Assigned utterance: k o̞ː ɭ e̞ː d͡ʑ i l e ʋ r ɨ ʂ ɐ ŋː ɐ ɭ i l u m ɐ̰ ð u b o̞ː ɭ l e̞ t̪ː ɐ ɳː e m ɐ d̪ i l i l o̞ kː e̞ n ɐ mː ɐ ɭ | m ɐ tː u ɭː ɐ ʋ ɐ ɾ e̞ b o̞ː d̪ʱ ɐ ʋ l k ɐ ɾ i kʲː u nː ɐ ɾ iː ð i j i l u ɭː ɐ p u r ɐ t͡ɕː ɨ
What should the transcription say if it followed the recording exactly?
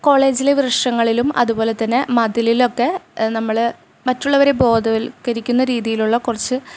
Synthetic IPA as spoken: k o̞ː ɭ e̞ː d͡ʑ i l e ʋ r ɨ ʂ ɐ ŋː ɐ ɭ i l u m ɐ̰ ð u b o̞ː l e̞ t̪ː ɐ nː e m ɐ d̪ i l i l o̞ kː e̞ n ɐ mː ɐ ɭ | m ɐ tː u ɭː ɐ ʋ ɐ ɾ e̞ b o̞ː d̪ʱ ɐ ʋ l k ɐ ɾ i kʲː u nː ɐ ɾ iː ð i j i l u ɭː ɐ k u r ɐ t͡ɕː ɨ